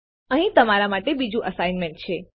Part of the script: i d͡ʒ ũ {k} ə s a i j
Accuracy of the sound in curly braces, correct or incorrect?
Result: incorrect: ʔ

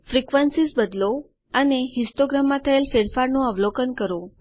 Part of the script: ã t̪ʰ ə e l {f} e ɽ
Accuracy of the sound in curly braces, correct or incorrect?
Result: correct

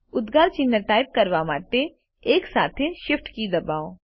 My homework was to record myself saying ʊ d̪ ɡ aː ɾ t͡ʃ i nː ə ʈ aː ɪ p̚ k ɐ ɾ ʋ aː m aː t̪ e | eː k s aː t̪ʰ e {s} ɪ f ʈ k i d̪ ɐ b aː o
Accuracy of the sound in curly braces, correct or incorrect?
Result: incorrect: ʃ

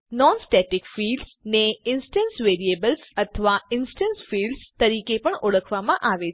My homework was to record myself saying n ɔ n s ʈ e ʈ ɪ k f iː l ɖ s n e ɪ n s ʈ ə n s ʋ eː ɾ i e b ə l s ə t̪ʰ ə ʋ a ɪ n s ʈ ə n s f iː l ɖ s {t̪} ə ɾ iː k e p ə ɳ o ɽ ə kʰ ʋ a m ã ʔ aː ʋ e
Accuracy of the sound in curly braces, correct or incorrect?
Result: correct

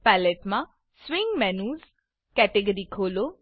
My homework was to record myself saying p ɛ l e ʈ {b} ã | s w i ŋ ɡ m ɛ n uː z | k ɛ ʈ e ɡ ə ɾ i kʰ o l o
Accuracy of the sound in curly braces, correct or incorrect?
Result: incorrect: m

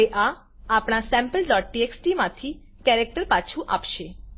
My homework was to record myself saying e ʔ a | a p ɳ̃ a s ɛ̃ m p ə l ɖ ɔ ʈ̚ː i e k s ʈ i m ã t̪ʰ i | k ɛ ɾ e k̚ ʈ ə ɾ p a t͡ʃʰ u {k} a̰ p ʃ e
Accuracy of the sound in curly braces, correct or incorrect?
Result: incorrect: ʔ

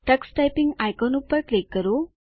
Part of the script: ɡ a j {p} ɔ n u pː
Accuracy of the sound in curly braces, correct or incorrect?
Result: incorrect: k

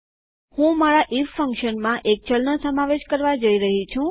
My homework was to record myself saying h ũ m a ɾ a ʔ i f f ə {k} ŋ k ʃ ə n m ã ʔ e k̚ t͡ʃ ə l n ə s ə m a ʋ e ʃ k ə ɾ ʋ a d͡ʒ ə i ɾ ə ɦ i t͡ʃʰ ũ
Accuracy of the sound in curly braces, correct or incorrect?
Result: incorrect: none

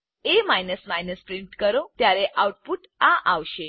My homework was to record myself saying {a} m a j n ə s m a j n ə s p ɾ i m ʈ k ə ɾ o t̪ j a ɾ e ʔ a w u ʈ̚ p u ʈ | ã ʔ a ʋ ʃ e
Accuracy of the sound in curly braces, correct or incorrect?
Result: incorrect: e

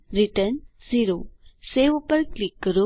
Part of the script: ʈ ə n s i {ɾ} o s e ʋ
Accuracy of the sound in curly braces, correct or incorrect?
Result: correct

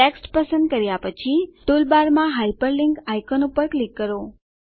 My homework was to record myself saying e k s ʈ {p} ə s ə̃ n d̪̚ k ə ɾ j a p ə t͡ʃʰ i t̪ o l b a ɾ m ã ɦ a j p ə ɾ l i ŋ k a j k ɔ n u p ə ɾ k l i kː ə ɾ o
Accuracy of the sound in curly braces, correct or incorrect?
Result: correct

